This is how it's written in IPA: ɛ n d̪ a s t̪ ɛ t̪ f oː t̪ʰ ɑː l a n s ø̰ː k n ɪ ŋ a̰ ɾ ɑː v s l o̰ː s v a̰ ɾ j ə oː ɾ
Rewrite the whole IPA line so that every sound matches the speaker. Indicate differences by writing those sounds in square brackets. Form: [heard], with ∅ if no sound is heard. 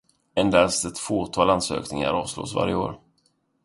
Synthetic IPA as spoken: ɛ n d̪ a s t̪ ɛ t̪ f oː t̪ʰ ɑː l a n s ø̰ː k n ɪ ŋ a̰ ɾ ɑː v s l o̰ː s v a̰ ɾ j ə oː ɾ